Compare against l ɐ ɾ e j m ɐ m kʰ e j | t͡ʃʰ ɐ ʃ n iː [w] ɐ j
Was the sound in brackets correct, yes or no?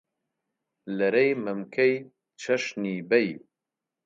no